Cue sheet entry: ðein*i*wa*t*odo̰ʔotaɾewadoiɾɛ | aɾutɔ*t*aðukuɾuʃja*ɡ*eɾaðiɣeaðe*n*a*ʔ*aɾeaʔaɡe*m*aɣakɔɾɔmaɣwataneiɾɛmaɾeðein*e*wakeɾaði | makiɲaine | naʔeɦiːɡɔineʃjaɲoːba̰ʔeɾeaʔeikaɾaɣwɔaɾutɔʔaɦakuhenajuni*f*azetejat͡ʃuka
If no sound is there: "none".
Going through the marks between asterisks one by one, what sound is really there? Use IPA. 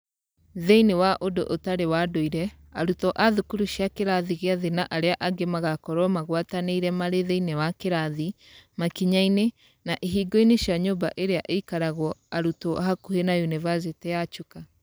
e, ʔ, ʔ, k, n, ʔ, m, e, v

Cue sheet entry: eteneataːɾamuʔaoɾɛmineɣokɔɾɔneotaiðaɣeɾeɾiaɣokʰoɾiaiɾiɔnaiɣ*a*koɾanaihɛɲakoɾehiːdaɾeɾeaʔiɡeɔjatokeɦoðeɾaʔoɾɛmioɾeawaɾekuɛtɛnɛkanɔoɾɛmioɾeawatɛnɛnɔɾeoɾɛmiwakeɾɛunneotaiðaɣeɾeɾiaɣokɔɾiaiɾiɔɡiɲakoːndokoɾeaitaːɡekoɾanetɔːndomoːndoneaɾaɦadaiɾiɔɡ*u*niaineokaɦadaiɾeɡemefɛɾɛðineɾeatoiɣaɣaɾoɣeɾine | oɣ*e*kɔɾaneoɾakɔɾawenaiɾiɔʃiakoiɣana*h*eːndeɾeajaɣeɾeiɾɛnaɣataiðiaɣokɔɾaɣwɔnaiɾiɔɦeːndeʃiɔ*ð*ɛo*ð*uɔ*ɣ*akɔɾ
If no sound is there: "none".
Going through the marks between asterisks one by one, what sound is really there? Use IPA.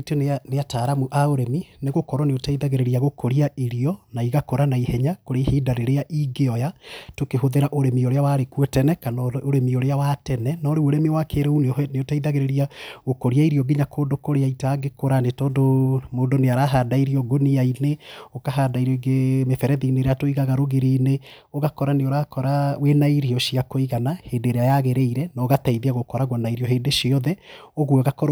a, o, a, h, ð, ɣ, ɣ

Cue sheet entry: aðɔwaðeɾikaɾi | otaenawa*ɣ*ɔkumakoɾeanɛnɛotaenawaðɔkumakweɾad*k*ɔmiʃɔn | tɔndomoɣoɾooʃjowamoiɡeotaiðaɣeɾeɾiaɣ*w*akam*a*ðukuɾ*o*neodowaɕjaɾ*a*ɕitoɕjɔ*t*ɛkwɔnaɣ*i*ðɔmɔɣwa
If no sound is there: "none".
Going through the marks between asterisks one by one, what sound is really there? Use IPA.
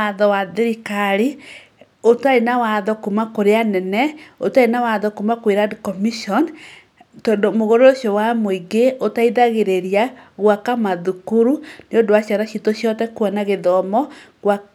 ð, k, w, a, u, a, t, e

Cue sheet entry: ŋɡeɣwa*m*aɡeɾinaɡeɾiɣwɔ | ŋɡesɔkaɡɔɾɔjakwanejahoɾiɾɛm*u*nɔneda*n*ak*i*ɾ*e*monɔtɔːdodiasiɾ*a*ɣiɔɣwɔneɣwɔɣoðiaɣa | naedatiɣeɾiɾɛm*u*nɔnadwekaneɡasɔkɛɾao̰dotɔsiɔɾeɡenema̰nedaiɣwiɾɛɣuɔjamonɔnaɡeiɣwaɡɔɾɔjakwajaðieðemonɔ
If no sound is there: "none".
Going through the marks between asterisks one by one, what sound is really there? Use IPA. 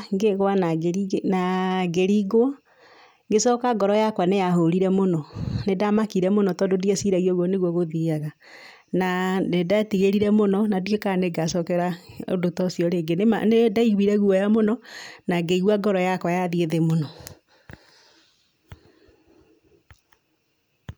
n, o, m, i, ɛ, a, o

